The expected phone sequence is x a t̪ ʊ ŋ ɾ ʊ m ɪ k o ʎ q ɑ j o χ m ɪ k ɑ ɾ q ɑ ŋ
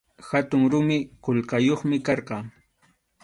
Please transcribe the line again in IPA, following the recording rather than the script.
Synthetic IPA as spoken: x a t̪ ʊ ŋ ɾ ʊ m ɪ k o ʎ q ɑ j o χ m ɪ k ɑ ɾ q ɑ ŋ